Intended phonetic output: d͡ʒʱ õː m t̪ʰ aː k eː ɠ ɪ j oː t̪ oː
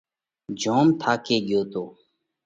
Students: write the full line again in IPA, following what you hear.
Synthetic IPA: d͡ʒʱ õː m t̪ʰ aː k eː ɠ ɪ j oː t̪ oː